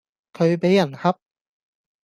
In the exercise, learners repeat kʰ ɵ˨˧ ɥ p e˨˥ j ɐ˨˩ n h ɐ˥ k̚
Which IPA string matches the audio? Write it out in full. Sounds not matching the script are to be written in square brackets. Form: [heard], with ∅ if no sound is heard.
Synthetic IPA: kʰ ɵ˨˧ ɥ p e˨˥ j ɐ˨˩ n h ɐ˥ [p̚]